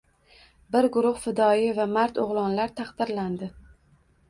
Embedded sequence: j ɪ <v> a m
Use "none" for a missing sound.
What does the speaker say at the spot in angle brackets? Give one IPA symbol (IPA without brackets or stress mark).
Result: v